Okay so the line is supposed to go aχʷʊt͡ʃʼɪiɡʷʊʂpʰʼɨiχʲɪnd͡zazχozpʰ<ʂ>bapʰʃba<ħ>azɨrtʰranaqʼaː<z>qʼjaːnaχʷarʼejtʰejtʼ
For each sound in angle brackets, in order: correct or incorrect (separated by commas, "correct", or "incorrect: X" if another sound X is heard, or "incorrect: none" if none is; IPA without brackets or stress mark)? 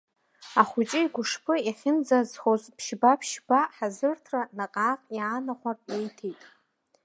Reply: incorrect: ʃ, correct, incorrect: none